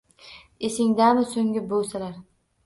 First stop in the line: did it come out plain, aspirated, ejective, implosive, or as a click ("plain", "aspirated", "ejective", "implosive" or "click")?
plain